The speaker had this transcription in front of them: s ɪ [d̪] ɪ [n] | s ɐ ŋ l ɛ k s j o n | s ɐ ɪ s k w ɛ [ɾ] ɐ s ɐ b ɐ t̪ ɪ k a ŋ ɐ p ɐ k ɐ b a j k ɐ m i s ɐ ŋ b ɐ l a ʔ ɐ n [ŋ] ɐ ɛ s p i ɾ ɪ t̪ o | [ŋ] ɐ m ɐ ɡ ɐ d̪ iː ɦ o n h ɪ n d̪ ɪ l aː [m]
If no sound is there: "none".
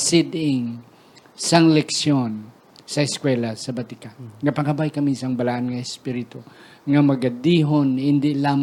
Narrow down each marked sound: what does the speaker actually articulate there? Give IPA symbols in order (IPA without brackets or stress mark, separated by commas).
d̪, ŋ, l, ŋ, ŋ, m